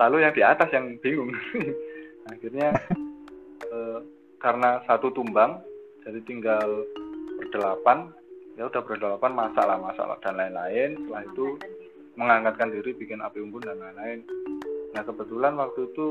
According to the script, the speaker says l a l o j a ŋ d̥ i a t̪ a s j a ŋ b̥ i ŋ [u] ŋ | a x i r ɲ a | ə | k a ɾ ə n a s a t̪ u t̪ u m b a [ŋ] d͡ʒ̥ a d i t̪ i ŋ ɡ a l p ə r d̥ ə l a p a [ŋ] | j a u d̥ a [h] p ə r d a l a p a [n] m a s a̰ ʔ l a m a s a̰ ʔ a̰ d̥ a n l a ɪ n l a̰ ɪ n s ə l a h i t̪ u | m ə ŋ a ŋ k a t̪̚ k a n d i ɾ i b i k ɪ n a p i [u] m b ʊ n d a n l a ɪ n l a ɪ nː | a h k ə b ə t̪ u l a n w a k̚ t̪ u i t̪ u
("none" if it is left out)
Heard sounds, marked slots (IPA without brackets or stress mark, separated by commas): ʊ, ŋ, n, h, n, u